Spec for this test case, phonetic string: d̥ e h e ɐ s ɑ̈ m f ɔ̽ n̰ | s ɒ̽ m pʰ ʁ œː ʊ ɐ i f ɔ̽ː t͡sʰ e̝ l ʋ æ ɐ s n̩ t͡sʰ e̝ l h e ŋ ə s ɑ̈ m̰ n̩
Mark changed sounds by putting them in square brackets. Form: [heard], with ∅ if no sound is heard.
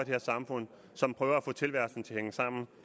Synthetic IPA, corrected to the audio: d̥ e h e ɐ s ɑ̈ m f ɔ̽ n̰ | s ɒ̽ m pʰ ʁ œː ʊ ɐ [æ] f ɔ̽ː t͡sʰ e̝ l ʋ æ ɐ s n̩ t͡sʰ e̝ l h e ŋ ə s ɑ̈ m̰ n̩